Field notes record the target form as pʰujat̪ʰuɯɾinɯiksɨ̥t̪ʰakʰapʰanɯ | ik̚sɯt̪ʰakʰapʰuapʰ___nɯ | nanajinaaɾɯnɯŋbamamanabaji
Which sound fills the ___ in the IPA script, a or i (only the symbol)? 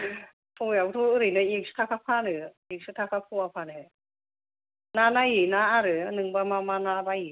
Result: a